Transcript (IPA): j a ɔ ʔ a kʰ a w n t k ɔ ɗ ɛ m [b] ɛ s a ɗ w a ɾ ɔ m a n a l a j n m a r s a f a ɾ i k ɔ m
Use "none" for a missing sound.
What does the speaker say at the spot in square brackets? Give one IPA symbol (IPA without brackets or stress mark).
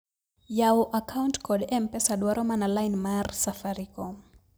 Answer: p